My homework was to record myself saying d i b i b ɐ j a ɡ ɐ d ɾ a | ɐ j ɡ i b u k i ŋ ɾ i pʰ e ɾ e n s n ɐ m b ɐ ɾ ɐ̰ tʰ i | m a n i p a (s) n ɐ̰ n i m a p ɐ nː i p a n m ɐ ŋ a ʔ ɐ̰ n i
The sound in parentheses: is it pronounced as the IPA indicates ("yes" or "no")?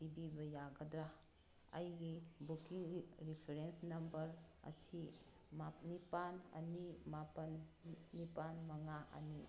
no